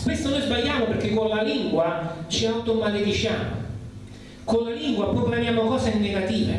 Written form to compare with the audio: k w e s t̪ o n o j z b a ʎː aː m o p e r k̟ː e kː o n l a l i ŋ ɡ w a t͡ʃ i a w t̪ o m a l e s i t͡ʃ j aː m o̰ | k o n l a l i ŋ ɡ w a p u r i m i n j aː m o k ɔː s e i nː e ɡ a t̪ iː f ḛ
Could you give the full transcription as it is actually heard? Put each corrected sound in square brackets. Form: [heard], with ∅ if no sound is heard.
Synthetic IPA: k w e s t̪ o n o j z b a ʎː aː m o p e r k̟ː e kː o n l a l i ŋ ɡ w a t͡ʃ i a w t̪ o m a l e [f] i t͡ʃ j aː m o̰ | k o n l a l i ŋ ɡ w a p u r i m [a] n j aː m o k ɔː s e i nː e ɡ a t̪ iː [v] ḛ